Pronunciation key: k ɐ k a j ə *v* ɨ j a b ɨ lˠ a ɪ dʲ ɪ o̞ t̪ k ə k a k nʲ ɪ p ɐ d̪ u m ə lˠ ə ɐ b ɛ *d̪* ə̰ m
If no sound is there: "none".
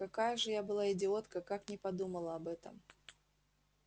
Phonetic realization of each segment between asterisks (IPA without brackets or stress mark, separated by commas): ʐ, t̪